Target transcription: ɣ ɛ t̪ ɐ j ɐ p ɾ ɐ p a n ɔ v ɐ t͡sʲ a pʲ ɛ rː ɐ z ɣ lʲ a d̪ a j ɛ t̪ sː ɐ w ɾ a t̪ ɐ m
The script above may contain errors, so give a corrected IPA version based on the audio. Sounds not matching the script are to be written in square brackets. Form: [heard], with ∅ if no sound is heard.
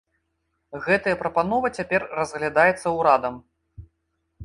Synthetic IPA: ɣ ɛ t̪ ɐ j ɐ p ɾ ɐ p a n ɔ v ɐ t͡sʲ a pʲ ɛ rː ɐ z ɣ lʲ a d̪ a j ɛ t̪ sː ɐ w ɾ a [d̪] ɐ m